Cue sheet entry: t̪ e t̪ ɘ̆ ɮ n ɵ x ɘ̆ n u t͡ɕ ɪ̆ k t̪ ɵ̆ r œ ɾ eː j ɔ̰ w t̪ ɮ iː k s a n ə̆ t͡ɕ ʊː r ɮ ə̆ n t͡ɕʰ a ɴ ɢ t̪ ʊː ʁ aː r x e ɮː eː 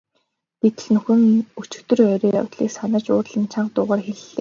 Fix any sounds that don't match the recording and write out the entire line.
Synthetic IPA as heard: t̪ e t̪ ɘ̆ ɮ n ɵ x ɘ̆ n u t͡ɕ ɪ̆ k t̪ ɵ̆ r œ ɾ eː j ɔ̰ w t̪ ɮ iː k s a n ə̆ t͡ɕ ʊː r ɮ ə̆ n t͡ɕʰ a ɴ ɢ t̪ ʊː ʁ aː r x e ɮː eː